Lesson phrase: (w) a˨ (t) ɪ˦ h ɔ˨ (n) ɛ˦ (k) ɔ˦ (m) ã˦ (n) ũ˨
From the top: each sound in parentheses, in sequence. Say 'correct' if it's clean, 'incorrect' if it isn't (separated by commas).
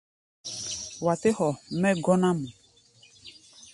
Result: correct, correct, incorrect, incorrect, incorrect, incorrect